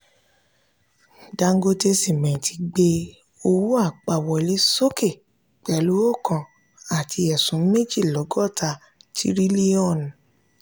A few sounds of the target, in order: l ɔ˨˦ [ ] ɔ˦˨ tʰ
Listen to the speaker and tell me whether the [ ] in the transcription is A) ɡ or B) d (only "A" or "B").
A